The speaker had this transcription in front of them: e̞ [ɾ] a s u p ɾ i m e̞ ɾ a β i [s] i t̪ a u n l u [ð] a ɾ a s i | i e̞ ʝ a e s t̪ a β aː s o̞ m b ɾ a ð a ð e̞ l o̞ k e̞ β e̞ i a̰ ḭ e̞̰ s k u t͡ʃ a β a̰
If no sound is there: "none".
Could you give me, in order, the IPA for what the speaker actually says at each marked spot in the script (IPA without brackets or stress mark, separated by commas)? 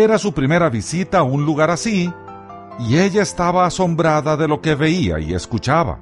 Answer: ɾ, s, ɣ